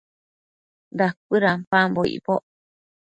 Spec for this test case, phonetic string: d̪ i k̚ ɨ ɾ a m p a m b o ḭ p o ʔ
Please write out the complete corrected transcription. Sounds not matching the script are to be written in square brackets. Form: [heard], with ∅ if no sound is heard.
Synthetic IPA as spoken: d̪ [a] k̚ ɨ ɾ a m p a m b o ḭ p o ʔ

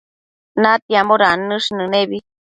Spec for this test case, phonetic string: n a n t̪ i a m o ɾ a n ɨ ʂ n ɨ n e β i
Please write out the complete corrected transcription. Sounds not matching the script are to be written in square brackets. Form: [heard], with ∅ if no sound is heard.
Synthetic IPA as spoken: n a [∅] t̪ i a m o ɾ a n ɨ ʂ n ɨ n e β i

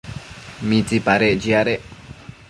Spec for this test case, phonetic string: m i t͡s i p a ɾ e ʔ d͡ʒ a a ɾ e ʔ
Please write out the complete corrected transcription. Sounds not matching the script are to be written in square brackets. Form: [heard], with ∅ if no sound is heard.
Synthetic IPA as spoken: m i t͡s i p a ɾ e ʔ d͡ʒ [i] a ɾ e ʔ

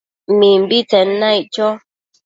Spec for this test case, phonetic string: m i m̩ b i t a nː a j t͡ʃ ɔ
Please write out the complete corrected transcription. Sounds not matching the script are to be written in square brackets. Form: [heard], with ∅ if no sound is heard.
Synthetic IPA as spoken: m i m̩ b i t [ɛ] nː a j t͡ʃ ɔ

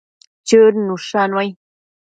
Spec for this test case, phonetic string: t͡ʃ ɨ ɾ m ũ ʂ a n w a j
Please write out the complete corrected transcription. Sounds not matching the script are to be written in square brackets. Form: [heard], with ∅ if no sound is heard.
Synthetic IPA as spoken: t͡ʃ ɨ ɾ [n] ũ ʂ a n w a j

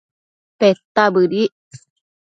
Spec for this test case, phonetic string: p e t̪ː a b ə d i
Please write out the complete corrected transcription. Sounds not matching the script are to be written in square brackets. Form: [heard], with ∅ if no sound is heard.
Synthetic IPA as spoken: p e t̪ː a b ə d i

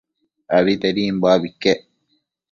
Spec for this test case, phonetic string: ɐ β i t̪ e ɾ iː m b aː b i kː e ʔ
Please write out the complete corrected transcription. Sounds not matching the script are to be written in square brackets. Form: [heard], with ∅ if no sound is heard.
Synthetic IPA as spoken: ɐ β i t̪ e ɾ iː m b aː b i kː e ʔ

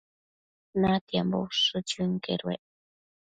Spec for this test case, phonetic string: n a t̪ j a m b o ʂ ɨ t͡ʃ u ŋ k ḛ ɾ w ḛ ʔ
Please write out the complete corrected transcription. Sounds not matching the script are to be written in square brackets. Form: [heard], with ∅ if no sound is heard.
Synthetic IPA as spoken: n a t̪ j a m b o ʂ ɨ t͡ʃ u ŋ k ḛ ɾ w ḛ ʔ

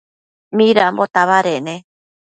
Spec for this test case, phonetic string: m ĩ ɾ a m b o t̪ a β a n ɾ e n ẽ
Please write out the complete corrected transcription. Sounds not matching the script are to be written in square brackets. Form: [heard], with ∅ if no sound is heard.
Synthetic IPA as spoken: m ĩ ɾ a m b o t̪ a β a [∅] ɾ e n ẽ

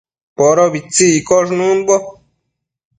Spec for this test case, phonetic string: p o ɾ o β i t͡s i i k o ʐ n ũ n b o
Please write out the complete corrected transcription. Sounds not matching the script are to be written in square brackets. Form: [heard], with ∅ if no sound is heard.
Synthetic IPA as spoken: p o ɾ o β i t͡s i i k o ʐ n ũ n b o

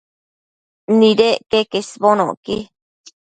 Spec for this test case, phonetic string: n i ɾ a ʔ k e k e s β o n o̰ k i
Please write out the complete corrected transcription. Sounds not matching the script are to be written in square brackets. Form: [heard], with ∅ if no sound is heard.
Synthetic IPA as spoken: n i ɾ [e] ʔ k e k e s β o n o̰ k i

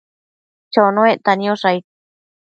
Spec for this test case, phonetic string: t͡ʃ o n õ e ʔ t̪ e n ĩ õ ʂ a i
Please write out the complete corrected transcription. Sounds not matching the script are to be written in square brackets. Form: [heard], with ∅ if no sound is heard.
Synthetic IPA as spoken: t͡ʃ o n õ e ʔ t̪ [a] n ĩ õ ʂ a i

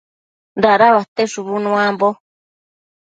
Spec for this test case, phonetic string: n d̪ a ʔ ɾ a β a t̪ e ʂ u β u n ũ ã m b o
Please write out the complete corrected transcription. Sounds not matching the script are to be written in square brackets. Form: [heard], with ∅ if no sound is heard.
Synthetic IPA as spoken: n d̪ a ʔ ɾ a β a t̪ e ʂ u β u n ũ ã m b o

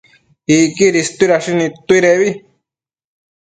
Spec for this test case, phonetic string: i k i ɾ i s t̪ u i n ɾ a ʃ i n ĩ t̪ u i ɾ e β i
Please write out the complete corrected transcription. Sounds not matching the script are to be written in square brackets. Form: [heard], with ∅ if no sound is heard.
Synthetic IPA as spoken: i k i ɾ i s t̪ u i [∅] ɾ a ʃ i n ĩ t̪ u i ɾ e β i

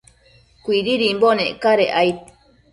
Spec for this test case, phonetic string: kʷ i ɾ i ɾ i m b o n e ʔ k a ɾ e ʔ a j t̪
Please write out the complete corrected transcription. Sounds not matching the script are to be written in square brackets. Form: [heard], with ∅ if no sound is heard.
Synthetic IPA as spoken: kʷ i ɾ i ɾ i m b o n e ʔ k a ɾ e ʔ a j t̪

